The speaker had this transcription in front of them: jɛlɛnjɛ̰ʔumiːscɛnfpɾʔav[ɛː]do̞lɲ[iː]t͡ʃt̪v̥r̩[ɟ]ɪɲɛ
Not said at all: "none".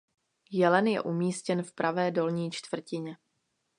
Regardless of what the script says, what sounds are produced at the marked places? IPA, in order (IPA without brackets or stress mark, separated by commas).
ɛː, iː, c